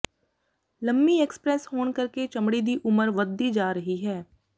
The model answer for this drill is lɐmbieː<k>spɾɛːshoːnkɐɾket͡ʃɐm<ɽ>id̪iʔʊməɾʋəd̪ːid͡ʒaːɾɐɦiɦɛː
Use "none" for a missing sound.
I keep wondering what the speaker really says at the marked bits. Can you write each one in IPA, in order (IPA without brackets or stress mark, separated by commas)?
k, ɽ